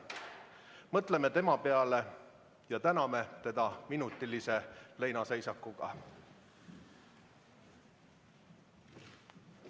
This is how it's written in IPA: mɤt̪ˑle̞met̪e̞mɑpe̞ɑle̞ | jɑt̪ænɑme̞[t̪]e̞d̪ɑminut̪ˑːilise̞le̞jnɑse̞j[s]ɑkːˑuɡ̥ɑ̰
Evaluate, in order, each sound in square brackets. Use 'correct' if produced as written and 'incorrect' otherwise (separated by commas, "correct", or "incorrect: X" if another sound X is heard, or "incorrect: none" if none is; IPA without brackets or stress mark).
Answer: correct, correct